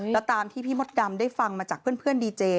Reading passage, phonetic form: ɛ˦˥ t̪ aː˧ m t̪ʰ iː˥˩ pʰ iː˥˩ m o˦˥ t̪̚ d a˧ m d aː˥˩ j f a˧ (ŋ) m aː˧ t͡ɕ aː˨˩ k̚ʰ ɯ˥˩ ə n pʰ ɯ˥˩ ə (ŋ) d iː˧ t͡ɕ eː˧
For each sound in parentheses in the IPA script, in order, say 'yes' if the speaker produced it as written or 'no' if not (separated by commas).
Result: yes, no